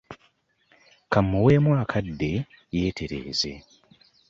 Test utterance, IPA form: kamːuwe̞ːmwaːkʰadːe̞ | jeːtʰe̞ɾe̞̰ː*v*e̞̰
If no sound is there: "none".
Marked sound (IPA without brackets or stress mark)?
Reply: z